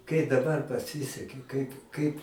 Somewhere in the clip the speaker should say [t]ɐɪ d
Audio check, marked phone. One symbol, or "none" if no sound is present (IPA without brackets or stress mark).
k